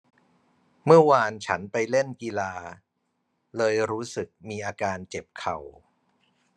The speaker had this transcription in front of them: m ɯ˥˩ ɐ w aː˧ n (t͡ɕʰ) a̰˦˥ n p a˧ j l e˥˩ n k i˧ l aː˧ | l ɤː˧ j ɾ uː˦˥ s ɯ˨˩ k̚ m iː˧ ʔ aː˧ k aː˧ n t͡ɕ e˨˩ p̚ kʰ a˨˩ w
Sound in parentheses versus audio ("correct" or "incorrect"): correct